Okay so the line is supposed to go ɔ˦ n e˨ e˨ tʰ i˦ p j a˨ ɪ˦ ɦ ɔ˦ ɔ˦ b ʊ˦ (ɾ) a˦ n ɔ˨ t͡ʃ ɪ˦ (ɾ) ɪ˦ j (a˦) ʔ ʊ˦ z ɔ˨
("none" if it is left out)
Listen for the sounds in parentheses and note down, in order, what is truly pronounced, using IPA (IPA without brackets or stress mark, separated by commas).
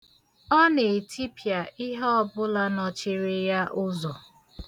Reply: l, ɾ, a˦